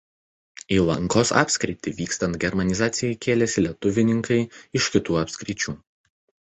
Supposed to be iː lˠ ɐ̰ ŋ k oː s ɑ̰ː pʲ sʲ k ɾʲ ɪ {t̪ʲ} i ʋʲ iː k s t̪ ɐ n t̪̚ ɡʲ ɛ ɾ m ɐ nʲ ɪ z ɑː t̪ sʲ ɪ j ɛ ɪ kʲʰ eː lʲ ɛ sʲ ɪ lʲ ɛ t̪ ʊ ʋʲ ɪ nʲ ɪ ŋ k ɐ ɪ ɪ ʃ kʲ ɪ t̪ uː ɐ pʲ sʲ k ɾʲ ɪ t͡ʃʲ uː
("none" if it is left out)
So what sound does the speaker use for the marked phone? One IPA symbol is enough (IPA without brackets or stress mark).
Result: t̪ʲ